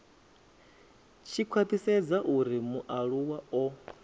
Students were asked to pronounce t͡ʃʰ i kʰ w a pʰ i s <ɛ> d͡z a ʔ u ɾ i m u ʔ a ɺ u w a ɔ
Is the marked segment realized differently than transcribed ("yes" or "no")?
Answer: no